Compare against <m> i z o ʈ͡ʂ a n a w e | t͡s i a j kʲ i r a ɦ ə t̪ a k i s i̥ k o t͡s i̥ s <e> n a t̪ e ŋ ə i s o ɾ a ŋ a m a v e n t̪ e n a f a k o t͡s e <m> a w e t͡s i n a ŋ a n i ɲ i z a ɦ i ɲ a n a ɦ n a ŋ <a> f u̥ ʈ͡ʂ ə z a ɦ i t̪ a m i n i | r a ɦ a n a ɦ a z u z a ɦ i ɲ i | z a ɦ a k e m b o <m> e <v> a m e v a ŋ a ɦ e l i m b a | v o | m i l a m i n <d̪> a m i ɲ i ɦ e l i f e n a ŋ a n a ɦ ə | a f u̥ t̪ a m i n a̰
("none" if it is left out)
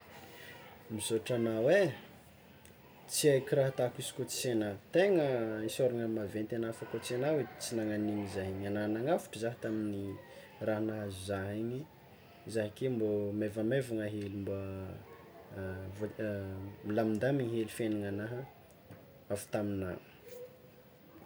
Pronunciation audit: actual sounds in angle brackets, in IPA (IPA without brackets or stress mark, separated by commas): m, e, n, a, m, v, d̪